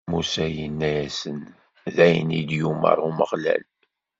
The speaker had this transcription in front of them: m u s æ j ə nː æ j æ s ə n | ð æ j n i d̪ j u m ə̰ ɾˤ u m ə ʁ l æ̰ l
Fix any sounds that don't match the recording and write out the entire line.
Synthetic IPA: m u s æ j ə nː æ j æ s ə n | ð æ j n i d̪ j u m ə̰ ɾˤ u m ə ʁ l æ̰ l